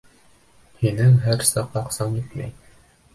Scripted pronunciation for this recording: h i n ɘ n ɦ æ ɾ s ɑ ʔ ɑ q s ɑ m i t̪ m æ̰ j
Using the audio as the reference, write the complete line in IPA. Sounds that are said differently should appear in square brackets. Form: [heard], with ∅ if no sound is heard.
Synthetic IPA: h i n ɘ [ŋ] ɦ æ ɾ s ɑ [q] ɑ q s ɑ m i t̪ m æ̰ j